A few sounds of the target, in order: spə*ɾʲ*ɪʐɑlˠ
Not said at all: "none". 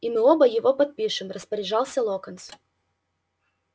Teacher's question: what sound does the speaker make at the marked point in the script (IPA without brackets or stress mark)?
ɾʲ